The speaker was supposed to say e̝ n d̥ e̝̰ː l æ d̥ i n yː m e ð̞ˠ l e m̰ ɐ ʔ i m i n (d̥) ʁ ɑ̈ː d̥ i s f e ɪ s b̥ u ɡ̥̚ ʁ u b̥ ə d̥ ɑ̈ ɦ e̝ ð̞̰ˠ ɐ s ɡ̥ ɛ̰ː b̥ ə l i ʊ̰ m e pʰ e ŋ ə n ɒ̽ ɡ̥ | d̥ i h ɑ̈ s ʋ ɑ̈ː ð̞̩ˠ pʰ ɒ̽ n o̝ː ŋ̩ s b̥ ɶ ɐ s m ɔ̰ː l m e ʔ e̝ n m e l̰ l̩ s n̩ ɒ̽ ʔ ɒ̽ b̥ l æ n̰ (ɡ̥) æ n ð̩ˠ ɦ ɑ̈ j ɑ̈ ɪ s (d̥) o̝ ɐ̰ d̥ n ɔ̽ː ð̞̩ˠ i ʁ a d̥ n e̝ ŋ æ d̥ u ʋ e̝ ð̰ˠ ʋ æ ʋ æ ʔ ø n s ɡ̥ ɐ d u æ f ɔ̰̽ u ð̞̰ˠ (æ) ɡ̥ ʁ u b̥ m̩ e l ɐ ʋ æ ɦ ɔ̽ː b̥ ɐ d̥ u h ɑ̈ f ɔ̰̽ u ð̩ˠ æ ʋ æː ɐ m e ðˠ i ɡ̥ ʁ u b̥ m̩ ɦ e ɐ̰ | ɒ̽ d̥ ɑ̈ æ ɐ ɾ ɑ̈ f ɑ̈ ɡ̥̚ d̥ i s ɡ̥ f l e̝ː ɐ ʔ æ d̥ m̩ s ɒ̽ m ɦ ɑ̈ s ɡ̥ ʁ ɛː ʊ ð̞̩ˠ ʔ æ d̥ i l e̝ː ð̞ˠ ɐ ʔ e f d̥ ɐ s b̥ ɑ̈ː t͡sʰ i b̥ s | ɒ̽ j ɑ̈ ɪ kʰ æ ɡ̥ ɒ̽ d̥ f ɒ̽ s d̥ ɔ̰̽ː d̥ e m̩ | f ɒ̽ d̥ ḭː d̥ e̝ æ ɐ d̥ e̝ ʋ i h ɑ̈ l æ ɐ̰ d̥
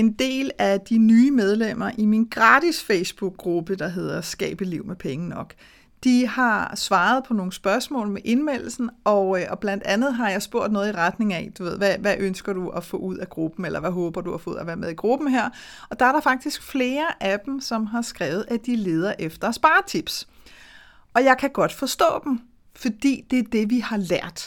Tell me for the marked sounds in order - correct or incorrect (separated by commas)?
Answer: incorrect, incorrect, incorrect, correct